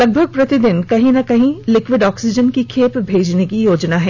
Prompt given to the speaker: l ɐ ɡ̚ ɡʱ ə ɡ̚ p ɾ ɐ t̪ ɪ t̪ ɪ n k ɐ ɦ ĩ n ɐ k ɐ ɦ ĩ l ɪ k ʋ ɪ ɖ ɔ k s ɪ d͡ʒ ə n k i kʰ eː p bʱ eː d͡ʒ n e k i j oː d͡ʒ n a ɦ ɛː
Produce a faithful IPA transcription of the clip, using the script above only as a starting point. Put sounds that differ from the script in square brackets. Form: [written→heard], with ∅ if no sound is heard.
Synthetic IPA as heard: l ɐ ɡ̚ [ɡʱ→bʱ] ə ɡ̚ p ɾ ɐ t̪ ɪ [t̪→d̪] ɪ n k ɐ ɦ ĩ n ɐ k ɐ ɦ ĩ l ɪ k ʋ ɪ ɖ [ɔ→ɔː] k s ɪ d͡ʒ ə n k i kʰ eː p bʱ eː d͡ʒ n e k i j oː d͡ʒ n a ɦ ɛː